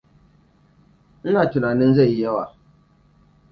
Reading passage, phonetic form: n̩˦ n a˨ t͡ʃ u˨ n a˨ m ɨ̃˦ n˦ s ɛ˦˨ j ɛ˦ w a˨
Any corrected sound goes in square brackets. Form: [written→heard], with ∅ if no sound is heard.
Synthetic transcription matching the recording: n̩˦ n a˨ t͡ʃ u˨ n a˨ [m→n] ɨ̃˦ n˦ [s→z] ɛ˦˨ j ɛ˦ w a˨